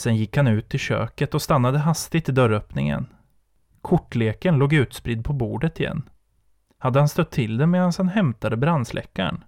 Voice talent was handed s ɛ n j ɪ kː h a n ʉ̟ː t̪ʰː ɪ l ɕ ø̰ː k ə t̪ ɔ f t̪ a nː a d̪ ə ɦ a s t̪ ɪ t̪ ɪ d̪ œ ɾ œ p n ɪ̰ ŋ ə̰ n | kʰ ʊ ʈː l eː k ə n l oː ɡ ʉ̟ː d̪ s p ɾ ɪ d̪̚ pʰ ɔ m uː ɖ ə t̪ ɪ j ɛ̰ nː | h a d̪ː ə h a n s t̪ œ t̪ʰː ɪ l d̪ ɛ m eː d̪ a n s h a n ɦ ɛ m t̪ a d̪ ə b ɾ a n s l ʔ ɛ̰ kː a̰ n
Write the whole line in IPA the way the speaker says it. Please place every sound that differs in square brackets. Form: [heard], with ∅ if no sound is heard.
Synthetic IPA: s ɛ n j ɪ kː h a n ʉ̟ː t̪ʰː ɪ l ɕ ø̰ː k ə t̪ ɔ [s] t̪ a nː a d̪ ə ɦ a s t̪ ɪ t̪ ɪ d̪ œ ɾ œ p n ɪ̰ ŋ ə̰ n | kʰ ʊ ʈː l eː k ə n l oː ɡ ʉ̟ː [t̪] s p ɾ ɪ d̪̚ pʰ ɔ [b] uː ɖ ə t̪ ɪ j ɛ̰ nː | h a d̪ː ə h a n s t̪ œ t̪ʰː ɪ l d̪ ɛ m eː d̪ a n s h a n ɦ ɛ m t̪ a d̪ ə b ɾ a n s l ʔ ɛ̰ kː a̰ [ɳ]